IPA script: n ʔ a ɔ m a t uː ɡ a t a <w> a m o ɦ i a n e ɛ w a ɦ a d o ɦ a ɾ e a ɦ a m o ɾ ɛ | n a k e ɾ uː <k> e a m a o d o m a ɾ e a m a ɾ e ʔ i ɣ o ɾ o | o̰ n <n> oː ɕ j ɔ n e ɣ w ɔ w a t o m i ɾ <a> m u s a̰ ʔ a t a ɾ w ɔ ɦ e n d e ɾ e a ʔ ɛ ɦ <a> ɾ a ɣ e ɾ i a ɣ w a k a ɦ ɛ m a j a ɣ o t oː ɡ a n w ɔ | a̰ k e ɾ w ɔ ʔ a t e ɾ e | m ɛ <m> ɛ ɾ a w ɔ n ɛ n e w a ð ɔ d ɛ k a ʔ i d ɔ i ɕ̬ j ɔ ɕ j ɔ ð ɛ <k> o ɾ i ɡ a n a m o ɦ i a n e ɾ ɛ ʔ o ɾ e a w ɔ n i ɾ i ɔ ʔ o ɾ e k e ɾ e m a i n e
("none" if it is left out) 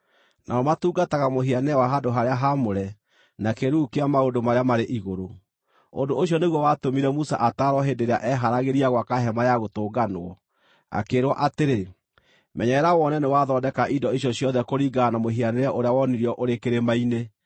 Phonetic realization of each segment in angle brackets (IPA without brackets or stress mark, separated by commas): ɣ, k, d, ɛ, a, ɲ, k